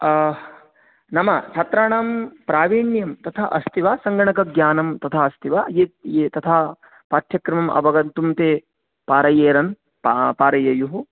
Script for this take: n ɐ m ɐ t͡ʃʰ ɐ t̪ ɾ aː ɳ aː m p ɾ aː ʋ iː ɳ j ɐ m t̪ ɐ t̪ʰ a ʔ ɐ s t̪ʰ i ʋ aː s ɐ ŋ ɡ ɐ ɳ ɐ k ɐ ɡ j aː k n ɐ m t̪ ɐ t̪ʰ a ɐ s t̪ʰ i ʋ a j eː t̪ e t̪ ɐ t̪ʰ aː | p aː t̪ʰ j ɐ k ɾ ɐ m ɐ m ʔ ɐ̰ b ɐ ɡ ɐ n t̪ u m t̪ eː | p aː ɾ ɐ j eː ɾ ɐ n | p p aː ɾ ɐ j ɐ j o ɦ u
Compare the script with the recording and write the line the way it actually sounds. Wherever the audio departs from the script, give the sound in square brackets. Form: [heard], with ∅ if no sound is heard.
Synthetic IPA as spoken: n ɐ m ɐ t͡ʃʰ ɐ t̪ ɾ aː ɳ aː m p ɾ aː ʋ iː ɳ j ɐ m t̪ ɐ t̪ʰ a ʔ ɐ s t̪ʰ i ʋ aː s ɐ ŋ ɡ ɐ ɳ ɐ k ɐ ɡ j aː [∅] n ɐ m t̪ ɐ t̪ʰ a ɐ s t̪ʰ i ʋ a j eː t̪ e t̪ ɐ t̪ʰ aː | p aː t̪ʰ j ɐ k ɾ ɐ m ɐ m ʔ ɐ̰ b ɐ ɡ ɐ n t̪ u m t̪ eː | p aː ɾ ɐ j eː ɾ ɐ n | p p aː ɾ ɐ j ɐ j [u] ɦ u